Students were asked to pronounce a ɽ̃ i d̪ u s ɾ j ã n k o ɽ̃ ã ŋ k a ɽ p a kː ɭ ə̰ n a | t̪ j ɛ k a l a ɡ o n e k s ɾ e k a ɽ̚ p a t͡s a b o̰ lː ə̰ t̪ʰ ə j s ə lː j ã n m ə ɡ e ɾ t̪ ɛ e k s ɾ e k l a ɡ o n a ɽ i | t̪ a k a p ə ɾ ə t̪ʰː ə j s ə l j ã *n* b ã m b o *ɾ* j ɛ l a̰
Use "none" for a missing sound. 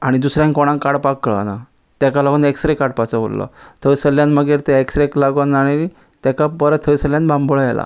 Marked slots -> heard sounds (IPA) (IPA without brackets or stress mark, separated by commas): n, ɭ